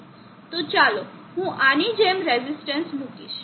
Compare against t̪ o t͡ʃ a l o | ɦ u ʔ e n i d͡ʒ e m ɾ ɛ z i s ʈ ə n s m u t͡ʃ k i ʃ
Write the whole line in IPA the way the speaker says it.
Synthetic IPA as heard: t̪ o t͡ʃ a l o | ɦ ũ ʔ a n i d͡ʒ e m ɾ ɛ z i s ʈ ə n s m u k i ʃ